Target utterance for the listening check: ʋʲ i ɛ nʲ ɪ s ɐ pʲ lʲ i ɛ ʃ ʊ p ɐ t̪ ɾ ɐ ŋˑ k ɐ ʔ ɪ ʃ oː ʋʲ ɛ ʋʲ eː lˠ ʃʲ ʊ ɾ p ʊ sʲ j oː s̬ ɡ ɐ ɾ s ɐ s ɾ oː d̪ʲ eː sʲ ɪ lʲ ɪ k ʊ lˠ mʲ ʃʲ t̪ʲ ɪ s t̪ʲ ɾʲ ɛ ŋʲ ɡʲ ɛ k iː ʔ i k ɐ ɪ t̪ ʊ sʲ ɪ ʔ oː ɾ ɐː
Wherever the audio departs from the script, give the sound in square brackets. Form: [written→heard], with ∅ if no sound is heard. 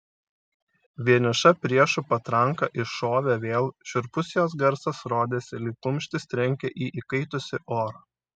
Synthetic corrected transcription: ʋʲ i ɛ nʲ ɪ [s→ʃ] ɐ pʲ [lʲ→ɾʲ] i ɛ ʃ ʊ p ɐ t̪ ɾ ɐ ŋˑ k ɐ ʔ ɪ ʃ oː ʋʲ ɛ ʋʲ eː lˠ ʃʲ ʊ ɾ p ʊ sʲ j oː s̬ ɡ ɐ ɾ s ɐ s ɾ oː d̪ʲ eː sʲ ɪ lʲ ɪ k ʊ [lˠ→∅] mʲ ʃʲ t̪ʲ ɪ s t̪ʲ ɾʲ ɛ ŋʲ [ɡʲ→kʲ] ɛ [k→ʔ] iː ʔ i k ɐ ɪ t̪ ʊ sʲ ɪ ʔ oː ɾ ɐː

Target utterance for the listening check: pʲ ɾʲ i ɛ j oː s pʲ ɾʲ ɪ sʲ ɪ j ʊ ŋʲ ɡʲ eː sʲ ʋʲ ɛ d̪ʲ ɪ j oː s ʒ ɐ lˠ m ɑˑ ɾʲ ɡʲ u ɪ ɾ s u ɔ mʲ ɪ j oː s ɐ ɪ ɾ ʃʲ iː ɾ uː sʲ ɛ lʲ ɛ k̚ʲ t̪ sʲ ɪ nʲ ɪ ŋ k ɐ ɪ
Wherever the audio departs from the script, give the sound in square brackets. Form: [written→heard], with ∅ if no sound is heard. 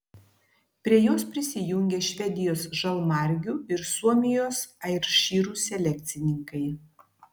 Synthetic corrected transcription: pʲ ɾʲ i ɛ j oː s pʲ ɾʲ ɪ sʲ ɪ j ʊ ŋʲ ɡʲ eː [sʲ→ʃʲ] ʋʲ ɛ d̪ʲ ɪ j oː s ʒ ɐ lˠ m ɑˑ ɾʲ ɡʲ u ɪ ɾ s u ɔ mʲ ɪ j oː s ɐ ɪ ɾ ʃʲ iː ɾ uː sʲ ɛ lʲ ɛ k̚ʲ t̪ sʲ ɪ nʲ ɪ ŋ k ɐ ɪ

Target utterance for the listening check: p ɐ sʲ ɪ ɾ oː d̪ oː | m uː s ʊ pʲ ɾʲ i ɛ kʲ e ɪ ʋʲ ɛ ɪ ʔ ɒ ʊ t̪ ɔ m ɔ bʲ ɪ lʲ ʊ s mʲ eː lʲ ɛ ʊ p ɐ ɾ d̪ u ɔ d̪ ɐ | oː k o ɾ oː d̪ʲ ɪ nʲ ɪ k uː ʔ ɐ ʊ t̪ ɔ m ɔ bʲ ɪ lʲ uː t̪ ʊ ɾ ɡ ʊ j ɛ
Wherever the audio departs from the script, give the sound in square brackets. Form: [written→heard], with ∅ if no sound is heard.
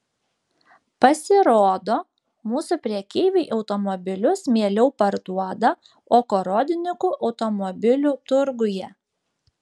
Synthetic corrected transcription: p ɐ sʲ ɪ ɾ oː d̪ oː | m uː s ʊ pʲ ɾʲ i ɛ kʲ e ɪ ʋʲ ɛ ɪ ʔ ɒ ʊ t̪ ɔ m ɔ bʲ ɪ lʲ ʊ s mʲ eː lʲ ɛ ʊ p ɐ ɾ d̪ u ɔ d̪ ɐ | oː k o ɾ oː d̪ʲ ɪ nʲ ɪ k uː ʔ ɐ ʊ t̪ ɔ m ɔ bʲ ɪ lʲ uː t̪ ʊ ɾ ɡ ʊ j ɛ

